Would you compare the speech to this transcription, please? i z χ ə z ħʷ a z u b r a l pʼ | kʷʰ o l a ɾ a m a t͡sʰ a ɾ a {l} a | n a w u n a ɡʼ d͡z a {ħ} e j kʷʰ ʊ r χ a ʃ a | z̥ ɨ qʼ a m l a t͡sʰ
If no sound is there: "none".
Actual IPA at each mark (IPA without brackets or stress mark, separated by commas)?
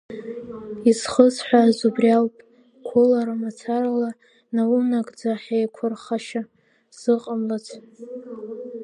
l, ħ